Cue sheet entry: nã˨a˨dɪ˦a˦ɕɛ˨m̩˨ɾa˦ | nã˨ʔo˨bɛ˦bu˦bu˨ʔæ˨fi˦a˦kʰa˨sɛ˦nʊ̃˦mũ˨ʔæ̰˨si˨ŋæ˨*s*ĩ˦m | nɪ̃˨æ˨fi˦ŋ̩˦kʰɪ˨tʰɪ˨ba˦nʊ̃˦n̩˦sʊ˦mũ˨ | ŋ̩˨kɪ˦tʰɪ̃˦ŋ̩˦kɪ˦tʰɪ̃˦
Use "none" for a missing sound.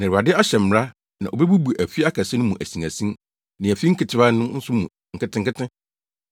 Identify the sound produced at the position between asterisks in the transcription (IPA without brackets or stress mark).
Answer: s